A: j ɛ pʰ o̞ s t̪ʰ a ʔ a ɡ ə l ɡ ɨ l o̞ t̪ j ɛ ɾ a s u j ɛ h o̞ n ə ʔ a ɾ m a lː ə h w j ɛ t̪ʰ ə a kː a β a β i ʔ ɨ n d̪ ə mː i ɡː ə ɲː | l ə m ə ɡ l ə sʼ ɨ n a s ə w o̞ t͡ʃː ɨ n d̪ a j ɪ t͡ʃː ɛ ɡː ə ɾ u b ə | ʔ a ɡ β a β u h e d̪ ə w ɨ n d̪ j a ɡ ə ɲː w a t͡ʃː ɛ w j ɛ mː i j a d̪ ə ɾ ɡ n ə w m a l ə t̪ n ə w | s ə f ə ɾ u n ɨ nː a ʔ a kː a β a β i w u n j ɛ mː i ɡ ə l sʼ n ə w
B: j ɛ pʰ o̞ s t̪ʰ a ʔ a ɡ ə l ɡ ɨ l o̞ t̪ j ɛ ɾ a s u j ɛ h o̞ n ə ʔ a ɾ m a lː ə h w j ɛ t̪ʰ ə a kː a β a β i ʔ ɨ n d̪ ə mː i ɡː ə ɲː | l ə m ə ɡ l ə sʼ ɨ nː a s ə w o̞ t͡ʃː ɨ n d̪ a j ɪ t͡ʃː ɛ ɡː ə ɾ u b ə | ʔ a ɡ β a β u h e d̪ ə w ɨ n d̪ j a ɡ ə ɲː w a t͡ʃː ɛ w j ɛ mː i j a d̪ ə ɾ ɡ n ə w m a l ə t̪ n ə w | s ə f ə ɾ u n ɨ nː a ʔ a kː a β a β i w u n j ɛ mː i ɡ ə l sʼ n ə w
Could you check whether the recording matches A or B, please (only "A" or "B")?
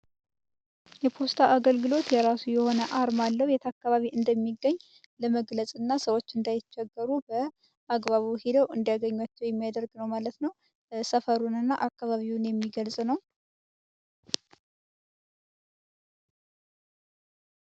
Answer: B